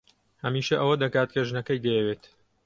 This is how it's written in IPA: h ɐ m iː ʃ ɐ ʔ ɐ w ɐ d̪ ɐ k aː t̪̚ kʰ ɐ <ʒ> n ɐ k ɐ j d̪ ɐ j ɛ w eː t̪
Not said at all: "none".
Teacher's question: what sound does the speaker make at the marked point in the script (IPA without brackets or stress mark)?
ʒ